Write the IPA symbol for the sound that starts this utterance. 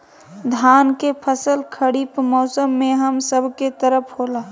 d̪ʱ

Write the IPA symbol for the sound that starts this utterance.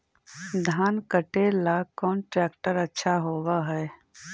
d̪ʱ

